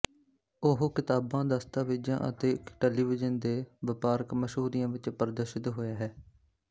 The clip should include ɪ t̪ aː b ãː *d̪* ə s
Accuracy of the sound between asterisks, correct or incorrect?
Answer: correct